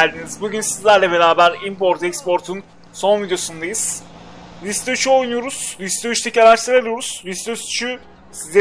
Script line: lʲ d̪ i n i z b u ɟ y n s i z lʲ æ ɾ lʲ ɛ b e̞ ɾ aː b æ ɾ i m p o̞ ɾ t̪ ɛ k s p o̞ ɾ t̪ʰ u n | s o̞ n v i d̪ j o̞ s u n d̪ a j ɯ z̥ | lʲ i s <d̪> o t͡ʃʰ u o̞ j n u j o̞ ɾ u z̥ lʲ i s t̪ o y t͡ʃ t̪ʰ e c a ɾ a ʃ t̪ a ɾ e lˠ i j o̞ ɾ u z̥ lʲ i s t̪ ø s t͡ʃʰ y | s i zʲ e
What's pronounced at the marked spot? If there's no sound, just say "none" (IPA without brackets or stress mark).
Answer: t̪